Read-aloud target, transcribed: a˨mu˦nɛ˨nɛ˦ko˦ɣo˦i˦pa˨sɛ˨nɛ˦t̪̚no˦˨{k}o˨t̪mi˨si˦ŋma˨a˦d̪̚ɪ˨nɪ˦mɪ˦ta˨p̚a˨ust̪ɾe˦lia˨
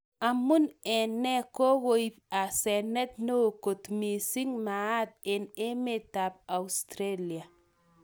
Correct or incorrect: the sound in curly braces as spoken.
correct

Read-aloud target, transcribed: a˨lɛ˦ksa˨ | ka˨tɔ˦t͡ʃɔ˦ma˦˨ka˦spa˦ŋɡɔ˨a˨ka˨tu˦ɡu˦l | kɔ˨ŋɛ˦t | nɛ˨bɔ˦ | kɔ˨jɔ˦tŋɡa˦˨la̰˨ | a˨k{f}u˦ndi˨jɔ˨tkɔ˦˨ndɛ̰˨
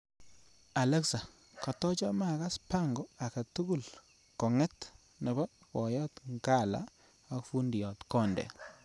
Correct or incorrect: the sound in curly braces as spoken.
correct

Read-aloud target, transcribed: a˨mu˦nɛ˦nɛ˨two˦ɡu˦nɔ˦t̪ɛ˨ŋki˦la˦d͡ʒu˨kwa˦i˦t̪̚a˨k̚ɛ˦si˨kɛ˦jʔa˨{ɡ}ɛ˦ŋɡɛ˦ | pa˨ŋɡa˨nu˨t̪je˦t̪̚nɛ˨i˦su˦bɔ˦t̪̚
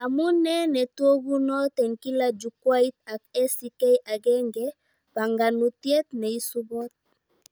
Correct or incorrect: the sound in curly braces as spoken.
correct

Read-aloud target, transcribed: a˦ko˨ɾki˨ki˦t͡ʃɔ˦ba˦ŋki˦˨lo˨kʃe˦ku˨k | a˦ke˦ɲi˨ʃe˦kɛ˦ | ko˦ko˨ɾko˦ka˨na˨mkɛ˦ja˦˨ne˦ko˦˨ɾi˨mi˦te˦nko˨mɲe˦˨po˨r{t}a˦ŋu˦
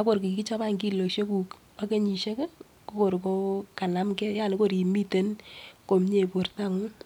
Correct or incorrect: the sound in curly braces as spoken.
correct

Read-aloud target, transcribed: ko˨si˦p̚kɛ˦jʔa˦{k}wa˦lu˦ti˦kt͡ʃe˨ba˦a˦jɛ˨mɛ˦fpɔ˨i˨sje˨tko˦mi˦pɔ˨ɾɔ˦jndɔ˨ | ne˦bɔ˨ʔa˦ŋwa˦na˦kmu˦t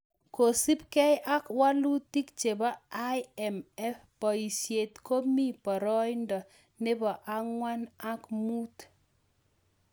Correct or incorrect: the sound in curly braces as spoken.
correct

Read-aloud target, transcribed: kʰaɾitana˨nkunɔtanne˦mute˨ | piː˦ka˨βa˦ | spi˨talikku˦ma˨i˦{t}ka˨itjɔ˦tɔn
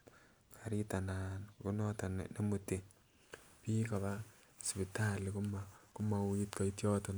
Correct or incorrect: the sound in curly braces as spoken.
correct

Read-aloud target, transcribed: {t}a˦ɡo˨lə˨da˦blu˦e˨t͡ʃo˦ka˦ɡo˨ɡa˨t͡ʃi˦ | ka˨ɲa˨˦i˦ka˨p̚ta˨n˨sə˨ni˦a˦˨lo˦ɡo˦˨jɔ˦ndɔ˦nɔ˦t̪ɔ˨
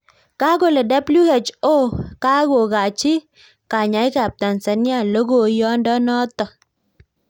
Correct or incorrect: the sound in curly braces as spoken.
incorrect: k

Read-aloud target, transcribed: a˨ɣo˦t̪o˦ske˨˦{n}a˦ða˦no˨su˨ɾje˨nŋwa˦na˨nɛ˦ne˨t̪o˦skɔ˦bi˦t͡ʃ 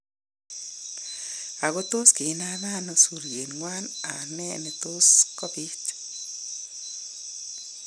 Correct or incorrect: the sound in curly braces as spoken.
correct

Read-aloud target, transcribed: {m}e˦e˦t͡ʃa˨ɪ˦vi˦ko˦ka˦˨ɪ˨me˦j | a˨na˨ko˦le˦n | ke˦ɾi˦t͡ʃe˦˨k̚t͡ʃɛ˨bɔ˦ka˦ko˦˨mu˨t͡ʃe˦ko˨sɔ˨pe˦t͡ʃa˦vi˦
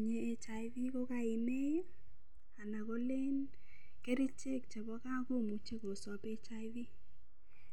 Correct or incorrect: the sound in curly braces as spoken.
incorrect: ɲ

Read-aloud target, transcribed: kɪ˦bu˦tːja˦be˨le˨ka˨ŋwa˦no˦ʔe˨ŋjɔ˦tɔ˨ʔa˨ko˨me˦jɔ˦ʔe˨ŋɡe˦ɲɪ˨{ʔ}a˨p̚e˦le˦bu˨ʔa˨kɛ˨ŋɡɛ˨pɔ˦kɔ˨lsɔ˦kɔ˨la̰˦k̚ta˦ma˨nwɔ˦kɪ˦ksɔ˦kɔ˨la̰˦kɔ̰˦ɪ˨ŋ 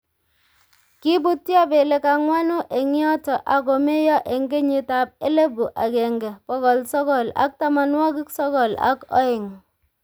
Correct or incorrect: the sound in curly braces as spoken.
incorrect: t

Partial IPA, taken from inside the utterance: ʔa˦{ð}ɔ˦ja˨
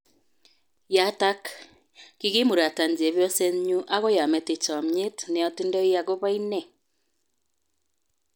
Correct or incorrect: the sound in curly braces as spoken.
incorrect: ɣ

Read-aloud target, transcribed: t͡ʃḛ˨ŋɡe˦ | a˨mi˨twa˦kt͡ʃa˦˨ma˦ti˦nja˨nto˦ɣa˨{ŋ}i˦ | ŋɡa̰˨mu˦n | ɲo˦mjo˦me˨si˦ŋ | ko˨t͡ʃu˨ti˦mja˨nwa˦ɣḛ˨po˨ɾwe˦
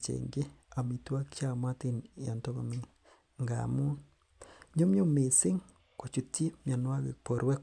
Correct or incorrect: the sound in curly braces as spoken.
incorrect: m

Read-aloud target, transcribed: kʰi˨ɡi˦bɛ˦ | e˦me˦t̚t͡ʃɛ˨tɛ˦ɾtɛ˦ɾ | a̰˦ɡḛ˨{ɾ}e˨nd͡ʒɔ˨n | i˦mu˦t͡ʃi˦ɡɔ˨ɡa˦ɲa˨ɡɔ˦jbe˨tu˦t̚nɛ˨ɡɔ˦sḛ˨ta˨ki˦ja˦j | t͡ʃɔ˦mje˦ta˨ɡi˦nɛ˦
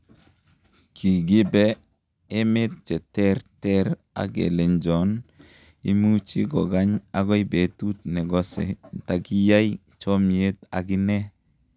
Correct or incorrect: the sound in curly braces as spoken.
incorrect: l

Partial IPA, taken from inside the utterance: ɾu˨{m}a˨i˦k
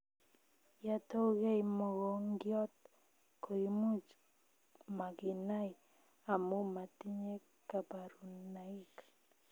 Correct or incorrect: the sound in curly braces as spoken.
incorrect: n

